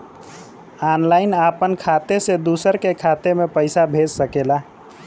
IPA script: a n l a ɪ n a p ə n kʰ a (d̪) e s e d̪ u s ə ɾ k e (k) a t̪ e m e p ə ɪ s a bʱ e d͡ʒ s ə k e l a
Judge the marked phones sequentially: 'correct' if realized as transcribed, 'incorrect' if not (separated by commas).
incorrect, incorrect